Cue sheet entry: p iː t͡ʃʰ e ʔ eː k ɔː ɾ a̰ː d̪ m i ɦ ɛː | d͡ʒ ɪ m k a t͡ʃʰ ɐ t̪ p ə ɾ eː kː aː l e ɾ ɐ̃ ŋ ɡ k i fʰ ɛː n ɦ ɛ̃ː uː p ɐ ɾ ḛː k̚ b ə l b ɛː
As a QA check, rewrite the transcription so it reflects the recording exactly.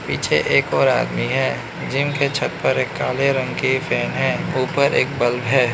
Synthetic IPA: p iː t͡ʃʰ e ʔ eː k ɔː ɾ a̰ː d̪ m i ɦ ɛː | d͡ʒ ɪ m k e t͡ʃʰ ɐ t̪ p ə ɾ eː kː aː l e ɾ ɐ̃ ŋ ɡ k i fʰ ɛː n ɦ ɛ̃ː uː p ə ɾ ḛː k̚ b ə l b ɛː